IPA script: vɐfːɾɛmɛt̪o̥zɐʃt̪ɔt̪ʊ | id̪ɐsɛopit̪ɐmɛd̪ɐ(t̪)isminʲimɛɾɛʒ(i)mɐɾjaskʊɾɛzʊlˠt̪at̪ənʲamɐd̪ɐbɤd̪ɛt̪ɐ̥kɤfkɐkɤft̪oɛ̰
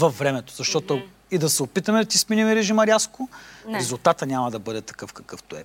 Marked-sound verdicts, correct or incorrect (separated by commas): correct, correct